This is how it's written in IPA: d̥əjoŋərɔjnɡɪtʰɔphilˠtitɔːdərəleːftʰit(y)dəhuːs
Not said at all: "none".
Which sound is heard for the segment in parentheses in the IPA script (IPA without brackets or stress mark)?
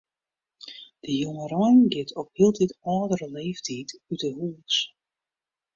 y